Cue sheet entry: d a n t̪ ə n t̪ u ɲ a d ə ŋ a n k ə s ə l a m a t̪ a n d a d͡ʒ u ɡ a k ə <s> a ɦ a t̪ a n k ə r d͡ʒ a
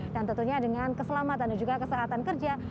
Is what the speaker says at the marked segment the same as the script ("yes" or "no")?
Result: yes